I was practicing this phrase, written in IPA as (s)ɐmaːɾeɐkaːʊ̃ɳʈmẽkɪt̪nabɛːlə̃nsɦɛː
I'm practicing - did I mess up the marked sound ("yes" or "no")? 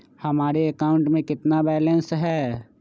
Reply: yes